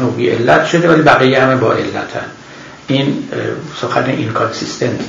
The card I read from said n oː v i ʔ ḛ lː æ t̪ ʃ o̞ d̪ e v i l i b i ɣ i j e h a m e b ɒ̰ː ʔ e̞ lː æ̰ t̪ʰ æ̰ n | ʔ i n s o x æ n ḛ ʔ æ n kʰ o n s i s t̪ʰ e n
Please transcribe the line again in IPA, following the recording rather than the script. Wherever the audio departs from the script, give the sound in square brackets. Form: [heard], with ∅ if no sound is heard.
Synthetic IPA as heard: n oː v i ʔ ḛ lː æ t̪ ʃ o̞ d̪ e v [æ] l i b [æ] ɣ i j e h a m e b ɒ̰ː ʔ e̞ lː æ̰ t̪ʰ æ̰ n | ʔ i n s o x æ n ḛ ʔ [i] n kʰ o n s i s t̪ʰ e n